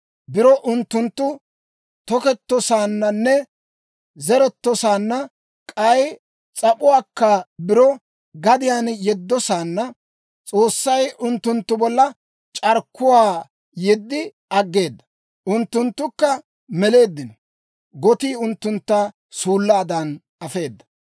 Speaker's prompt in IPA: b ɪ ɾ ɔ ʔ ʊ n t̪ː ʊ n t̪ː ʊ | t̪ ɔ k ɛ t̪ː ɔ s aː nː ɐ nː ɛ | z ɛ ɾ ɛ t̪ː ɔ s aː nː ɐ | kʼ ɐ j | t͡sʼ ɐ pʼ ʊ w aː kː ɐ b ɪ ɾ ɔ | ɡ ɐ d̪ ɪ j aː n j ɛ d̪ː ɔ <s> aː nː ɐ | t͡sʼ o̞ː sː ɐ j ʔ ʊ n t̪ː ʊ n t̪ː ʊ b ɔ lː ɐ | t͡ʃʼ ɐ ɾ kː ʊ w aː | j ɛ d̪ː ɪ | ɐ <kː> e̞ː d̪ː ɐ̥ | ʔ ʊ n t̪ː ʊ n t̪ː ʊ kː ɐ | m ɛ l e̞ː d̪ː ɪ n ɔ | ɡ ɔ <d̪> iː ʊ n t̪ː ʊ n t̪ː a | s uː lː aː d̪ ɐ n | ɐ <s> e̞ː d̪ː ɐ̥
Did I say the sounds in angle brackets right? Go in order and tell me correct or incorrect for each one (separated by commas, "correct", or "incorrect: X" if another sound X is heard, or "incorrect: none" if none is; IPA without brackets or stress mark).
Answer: correct, incorrect: ɡː, incorrect: t̪, incorrect: f